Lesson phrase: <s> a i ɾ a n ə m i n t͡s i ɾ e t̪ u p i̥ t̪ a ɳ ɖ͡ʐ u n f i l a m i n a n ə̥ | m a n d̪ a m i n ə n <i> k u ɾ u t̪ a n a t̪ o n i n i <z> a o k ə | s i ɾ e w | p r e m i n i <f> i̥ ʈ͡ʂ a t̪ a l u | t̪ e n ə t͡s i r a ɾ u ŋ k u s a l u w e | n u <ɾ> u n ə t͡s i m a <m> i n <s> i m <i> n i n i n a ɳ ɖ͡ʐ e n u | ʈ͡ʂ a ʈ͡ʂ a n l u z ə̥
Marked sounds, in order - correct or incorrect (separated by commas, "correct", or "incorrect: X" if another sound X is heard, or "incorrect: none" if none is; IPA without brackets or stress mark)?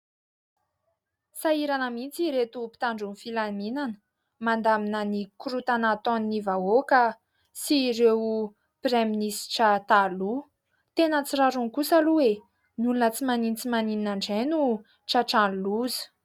correct, correct, incorrect: v, incorrect: s, incorrect: l, incorrect: n, incorrect: t͡s, incorrect: a